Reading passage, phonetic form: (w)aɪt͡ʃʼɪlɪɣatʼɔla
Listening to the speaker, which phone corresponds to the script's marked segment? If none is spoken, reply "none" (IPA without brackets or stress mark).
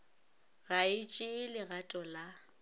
ɣ